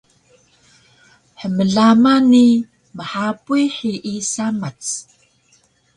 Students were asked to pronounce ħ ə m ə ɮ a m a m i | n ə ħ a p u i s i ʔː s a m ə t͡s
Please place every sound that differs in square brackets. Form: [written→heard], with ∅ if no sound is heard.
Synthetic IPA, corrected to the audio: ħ ə m ə ɮ a m a [m→n] i | [n→m] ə ħ a p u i [s→ħ] i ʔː s a m [ə→a] t͡s